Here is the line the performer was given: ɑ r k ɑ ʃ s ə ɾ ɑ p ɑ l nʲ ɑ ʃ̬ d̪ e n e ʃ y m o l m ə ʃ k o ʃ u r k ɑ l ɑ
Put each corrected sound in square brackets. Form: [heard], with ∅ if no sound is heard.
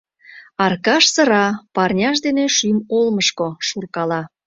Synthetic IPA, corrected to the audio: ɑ r k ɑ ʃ s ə ɾ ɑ p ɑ [r] nʲ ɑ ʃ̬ d̪ e n e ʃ y m o l m ə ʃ k o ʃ u r k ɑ l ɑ